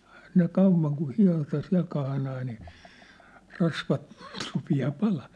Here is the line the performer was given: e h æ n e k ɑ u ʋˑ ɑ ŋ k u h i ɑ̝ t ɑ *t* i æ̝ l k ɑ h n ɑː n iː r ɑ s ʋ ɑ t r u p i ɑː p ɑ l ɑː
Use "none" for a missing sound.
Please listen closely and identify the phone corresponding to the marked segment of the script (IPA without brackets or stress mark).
s